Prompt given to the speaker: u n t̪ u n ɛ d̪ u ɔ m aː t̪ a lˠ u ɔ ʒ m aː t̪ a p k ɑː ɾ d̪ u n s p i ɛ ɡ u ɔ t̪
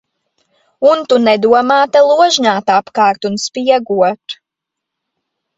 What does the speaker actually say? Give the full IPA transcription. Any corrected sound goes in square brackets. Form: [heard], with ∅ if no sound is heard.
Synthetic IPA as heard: u n t̪ u n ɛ d̪ u ɔ m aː t̪ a lˠ u ɔ ʒ [ɲ] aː t̪ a p k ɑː ɾ [t̪] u n s p i ɛ ɡ u ɔ t̪